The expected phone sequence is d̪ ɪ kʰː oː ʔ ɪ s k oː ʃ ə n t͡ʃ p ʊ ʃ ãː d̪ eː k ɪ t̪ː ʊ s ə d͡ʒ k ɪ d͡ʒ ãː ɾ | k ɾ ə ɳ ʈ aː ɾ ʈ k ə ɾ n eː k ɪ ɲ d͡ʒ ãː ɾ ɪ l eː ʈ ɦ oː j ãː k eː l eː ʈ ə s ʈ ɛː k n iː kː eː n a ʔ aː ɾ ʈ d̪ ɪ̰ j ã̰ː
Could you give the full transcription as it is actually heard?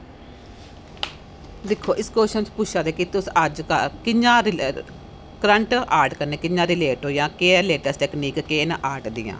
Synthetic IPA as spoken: d̪ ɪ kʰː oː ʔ ɪ s k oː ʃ ə n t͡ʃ p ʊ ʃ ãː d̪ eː k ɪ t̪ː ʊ s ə d͡ʒ k ɪ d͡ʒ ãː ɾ | k ɾ ə ɳ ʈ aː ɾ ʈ k ə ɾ n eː k ɪ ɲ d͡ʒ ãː ɾ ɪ l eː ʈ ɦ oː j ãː k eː l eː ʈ ə s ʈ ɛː k n iː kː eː n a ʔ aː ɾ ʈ d̪ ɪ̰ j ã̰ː